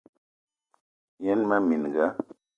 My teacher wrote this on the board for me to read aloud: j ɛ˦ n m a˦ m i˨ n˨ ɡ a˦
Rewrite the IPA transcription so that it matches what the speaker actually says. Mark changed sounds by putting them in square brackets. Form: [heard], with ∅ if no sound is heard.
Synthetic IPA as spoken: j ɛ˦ n m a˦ m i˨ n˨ ɡ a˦